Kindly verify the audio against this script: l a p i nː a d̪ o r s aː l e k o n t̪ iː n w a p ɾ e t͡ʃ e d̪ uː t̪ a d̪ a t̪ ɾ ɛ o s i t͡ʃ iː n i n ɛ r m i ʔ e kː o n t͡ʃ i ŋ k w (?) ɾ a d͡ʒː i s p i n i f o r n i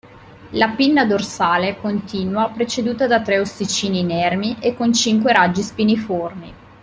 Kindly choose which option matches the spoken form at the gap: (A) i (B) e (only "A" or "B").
B